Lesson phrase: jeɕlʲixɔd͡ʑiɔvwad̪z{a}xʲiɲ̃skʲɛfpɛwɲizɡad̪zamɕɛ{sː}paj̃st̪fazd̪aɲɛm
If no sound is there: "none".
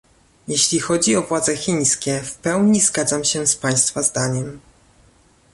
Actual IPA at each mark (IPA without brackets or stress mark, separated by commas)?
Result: ɛ, s